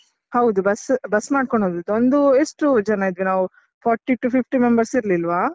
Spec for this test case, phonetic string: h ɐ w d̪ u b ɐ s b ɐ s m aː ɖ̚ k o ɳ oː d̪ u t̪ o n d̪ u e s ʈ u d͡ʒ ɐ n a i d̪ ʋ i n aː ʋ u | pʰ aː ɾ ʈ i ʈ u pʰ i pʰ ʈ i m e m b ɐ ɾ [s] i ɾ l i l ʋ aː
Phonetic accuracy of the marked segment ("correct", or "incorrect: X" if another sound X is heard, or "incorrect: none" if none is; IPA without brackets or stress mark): correct